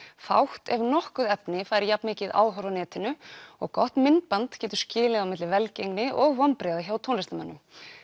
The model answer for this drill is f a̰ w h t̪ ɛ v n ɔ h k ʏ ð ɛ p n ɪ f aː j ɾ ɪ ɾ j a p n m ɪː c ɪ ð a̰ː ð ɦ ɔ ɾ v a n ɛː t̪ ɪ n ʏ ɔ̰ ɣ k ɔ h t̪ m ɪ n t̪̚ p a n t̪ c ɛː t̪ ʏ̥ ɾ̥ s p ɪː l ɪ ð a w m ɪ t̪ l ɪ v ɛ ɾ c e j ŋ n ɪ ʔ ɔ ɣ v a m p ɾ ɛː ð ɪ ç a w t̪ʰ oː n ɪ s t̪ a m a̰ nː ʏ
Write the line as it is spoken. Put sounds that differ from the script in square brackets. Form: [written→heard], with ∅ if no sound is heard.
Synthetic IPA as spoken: f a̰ w h t̪ ɛ v n ɔ h k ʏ ð ɛ p n ɪ f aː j ɾ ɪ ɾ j a p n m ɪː c ɪ ð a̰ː ð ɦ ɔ ɾ v a n ɛː t̪ ɪ n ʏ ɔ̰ ɣ k ɔ h t̪ m ɪ n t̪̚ p a n t̪ c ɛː t̪ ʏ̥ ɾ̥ s [p→c] ɪː l ɪ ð a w m ɪ t̪ l ɪ v ɛ [ɾ→l] c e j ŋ n ɪ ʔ ɔ ɣ v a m p ɾ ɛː ð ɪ ç a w t̪ʰ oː n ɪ s t̪ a m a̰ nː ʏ